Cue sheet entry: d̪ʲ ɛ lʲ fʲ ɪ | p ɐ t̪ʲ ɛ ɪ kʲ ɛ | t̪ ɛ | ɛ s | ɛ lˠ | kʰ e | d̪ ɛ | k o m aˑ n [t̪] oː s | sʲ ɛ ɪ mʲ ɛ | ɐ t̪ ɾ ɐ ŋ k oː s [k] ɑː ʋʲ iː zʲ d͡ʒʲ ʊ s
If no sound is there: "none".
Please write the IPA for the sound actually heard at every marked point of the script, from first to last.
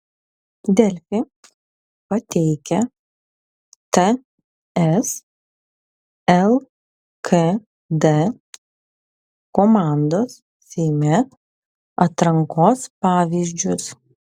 d̪, p

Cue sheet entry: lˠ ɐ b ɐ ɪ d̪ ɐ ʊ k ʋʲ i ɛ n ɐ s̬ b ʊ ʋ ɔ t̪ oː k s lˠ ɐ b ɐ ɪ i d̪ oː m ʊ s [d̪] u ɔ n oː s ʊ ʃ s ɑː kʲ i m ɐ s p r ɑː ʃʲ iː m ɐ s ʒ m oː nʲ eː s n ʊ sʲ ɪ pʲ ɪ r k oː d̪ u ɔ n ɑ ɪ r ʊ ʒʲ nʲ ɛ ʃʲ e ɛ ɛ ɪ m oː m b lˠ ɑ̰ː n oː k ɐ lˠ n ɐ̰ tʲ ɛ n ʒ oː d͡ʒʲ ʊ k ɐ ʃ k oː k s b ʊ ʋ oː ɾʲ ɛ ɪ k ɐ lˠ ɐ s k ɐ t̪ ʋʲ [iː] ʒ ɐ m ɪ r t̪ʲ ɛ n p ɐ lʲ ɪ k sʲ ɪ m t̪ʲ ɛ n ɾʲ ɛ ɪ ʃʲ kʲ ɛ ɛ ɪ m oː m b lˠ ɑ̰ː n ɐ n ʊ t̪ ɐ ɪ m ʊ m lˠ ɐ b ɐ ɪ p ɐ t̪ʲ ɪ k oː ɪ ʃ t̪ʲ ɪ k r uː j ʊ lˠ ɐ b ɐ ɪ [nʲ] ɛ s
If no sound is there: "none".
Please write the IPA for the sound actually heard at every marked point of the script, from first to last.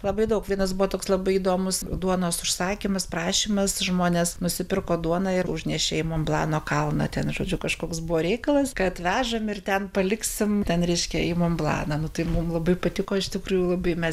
d̪, æː, mʲ

